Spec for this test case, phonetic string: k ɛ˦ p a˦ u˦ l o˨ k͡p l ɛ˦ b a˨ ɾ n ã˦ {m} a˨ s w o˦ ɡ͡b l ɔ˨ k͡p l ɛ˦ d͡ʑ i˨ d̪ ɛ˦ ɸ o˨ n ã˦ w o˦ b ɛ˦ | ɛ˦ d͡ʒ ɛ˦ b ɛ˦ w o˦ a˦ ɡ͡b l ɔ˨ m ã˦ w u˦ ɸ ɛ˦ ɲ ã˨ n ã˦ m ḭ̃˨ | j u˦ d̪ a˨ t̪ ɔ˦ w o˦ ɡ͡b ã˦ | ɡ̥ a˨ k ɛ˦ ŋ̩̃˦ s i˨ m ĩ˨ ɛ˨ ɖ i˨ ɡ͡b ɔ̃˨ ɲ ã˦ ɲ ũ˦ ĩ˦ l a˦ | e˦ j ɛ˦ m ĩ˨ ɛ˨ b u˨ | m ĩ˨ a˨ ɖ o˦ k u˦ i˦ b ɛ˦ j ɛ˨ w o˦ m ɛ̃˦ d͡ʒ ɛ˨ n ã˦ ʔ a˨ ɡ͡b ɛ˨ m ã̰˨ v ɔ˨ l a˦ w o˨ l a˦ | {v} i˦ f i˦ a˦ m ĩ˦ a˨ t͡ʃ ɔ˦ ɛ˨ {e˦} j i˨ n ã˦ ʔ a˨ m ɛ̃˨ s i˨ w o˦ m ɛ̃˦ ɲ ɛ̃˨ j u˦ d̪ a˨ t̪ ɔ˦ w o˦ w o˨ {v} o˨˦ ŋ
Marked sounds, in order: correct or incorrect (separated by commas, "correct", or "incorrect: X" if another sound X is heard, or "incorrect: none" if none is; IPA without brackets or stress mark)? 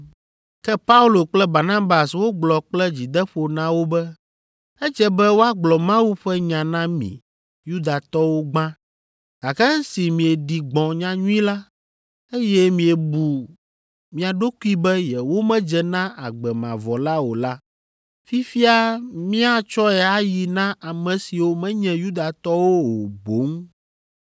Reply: incorrect: b, incorrect: f, incorrect: a˦, incorrect: b